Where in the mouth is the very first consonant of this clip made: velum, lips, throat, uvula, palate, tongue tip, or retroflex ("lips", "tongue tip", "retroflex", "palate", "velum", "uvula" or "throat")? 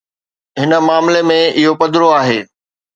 throat